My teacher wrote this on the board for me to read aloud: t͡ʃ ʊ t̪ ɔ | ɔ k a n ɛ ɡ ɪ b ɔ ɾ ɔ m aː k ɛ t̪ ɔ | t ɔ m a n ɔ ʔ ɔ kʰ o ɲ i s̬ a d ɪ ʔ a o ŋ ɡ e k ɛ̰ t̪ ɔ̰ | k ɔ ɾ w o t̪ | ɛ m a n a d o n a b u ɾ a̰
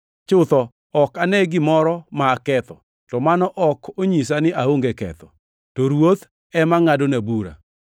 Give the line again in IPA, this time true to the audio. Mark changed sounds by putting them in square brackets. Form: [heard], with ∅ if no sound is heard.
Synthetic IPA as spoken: t͡ʃ ʊ t̪ ɔ | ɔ k a n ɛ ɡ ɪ [m] ɔ ɾ ɔ m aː k ɛ t̪ ɔ | t ɔ m a n ɔ ʔ ɔ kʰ o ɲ i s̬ a [n] ɪ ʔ a o ŋ ɡ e k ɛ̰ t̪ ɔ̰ | [t] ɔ ɾ w o t̪ | ɛ m a [ŋ] a d o n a b u ɾ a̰